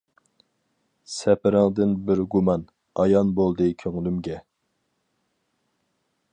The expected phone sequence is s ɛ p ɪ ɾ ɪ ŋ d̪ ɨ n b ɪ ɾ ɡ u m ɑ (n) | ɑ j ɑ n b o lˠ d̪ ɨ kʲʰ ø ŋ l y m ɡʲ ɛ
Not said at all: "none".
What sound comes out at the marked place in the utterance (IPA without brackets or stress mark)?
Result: n